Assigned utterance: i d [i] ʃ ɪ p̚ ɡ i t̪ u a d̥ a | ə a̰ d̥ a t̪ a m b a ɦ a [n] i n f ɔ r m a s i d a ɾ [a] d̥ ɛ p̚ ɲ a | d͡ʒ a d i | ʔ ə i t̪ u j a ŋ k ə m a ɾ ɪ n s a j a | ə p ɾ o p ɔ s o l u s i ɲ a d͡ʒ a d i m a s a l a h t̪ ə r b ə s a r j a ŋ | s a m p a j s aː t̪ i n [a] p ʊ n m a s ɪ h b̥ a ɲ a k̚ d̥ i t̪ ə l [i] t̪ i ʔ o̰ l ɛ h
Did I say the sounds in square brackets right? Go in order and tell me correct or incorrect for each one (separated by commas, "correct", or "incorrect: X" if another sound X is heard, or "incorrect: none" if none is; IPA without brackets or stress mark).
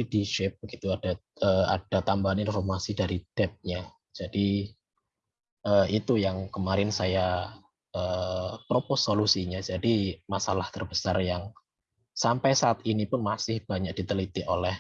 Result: correct, correct, incorrect: i, incorrect: i, correct